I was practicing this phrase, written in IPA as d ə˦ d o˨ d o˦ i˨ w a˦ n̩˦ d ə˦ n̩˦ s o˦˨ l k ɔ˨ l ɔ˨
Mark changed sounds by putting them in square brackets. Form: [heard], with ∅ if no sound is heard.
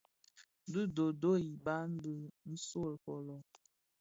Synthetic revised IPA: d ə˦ d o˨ d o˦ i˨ [b] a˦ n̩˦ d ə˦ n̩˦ s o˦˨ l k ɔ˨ l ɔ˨